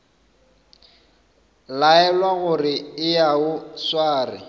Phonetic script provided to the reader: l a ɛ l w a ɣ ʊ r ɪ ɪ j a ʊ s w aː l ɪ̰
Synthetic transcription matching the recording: l a ɛ l w a ɣ ʊ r ɪ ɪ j a ʊ s w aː r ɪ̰